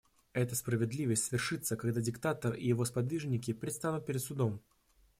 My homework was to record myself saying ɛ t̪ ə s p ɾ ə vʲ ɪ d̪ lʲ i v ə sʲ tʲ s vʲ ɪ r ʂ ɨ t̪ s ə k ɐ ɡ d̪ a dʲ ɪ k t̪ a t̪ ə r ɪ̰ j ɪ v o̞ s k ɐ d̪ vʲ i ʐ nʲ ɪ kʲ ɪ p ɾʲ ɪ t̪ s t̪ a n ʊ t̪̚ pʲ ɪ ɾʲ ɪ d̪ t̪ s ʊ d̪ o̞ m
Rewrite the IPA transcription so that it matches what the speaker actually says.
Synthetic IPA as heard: ɛ t̪ ə s p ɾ ə vʲ ɪ d̪ lʲ i v ə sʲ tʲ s vʲ ɪ r ʂ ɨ t̪ s ə k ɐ ɡ d̪ a dʲ ɪ k t̪ a t̪ ə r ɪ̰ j ɪ v o̞ s p ɐ d̪ vʲ i ʐ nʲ ɪ kʲ ɪ p ɾʲ ɪ t̪ s t̪ a n ʊ t̪̚ pʲ ɪ ɾʲ ɪ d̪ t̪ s ʊ d̪ o̞ m